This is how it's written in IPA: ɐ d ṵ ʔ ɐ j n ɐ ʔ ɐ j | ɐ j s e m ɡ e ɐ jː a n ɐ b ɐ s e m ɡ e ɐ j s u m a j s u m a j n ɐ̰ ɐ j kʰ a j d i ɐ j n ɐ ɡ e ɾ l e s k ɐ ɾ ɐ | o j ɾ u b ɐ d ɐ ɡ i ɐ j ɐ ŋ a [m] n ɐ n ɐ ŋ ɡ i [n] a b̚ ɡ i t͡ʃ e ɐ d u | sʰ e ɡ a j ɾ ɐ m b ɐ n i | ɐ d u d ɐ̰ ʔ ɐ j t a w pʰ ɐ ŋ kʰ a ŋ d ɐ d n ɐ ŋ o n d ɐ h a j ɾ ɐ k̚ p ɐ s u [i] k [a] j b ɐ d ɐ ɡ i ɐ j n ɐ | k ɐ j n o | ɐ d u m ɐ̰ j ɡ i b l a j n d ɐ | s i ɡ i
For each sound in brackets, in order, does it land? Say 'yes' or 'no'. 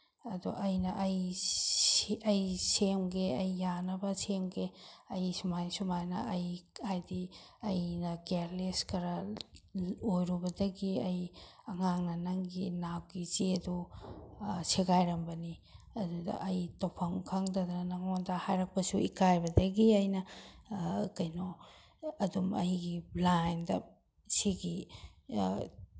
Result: no, yes, yes, yes

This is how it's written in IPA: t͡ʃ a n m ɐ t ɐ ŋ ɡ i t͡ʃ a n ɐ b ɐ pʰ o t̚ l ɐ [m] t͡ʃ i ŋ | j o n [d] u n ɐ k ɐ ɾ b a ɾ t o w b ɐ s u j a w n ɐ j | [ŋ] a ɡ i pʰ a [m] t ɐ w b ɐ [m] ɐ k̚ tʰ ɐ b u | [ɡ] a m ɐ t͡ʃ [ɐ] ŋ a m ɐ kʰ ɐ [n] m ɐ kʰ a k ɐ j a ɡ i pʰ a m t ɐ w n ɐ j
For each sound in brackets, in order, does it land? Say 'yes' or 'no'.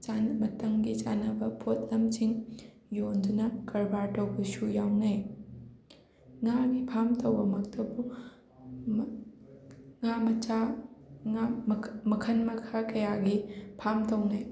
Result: yes, yes, yes, yes, yes, no, no, yes

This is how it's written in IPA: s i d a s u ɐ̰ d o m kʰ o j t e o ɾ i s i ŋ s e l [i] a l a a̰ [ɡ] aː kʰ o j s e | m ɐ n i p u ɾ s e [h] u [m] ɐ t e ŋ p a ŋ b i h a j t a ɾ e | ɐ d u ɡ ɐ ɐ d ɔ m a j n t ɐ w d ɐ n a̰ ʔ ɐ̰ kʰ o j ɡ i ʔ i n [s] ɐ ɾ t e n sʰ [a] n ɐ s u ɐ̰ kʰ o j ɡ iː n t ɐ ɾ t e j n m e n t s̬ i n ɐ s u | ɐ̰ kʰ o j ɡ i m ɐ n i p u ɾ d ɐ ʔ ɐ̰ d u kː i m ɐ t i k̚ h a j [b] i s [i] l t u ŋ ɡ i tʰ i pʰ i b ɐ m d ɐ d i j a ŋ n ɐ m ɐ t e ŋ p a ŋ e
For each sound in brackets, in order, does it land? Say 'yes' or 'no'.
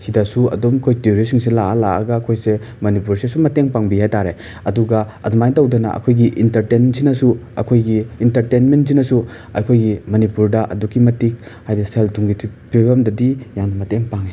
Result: no, yes, no, yes, no, no, no, no

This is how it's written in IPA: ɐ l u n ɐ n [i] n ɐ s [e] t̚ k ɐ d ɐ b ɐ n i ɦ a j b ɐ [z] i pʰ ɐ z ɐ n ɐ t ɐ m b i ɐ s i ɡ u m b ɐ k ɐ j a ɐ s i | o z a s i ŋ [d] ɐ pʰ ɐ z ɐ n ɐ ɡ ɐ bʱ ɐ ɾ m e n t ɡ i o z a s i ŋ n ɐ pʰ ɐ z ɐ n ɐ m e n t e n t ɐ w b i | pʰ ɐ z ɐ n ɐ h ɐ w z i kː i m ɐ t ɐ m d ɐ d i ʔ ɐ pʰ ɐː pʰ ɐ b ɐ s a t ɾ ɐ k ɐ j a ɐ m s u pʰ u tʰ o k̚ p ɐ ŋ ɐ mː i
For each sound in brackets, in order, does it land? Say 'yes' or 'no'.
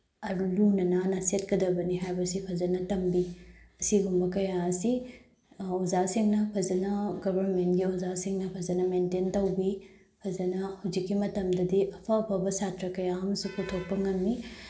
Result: no, yes, no, no

